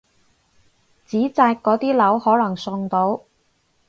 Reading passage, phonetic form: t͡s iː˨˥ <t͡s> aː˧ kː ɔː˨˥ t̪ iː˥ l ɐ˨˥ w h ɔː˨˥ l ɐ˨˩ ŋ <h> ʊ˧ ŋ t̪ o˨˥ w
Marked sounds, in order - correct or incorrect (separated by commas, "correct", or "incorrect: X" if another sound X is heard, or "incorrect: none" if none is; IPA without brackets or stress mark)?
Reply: correct, incorrect: s